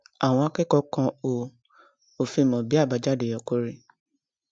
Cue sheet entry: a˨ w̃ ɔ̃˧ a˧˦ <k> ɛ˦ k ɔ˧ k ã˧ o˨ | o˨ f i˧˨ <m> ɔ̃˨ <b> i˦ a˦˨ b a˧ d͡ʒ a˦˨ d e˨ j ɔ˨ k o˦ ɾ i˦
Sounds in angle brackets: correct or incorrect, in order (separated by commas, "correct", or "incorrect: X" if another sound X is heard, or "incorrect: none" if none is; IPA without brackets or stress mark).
correct, correct, correct